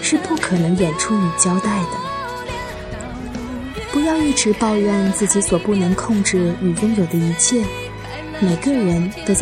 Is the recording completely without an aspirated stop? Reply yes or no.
no